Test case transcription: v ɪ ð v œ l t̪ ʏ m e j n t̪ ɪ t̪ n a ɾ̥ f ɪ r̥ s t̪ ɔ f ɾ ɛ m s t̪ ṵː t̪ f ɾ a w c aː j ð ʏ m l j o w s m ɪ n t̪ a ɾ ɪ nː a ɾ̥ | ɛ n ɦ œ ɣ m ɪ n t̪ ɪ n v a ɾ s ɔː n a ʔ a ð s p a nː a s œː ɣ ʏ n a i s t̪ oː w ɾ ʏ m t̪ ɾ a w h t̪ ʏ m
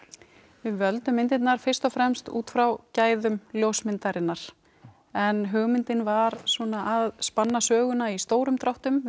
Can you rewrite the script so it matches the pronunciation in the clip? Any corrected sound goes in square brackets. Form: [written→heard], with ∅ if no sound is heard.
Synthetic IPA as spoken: v ɪ ð v œ l t̪ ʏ m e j n t̪ ɪ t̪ n a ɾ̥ f ɪ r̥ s t̪ ɔ f ɾ ɛ m s t̪ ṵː t̪ f ɾ a w c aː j ð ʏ m l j o w s m ɪ n t̪ a ɾ ɪ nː a ɾ̥ | ɛ n ɦ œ ɣ m ɪ n t̪ ɪ n v a ɾ s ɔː n a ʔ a ð s p a nː a s œː ɣ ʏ n a i s t̪ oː w ɾ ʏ m t̪ ɾ a w h t̪ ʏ m